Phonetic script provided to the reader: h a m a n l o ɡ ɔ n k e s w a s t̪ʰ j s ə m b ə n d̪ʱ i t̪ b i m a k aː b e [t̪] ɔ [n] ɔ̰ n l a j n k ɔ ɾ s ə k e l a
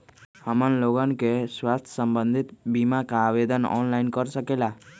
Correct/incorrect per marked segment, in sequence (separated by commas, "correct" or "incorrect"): incorrect, correct